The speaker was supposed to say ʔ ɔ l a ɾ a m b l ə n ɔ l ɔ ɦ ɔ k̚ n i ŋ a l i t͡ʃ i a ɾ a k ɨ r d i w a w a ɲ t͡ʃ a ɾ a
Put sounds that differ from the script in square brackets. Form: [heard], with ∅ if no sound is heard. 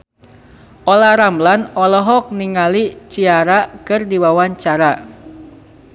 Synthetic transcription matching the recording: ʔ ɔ l a ɾ a m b l [a] n ɔ l ɔ ɦ ɔ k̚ n i ŋ a l i t͡ʃ i a ɾ a k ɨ r d i w a w a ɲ t͡ʃ a ɾ a